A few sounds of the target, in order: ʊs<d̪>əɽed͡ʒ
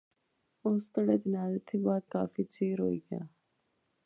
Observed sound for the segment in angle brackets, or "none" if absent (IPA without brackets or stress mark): t̪